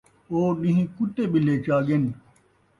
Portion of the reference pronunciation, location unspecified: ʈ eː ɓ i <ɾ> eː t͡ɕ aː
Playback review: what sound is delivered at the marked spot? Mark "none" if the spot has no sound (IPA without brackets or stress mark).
l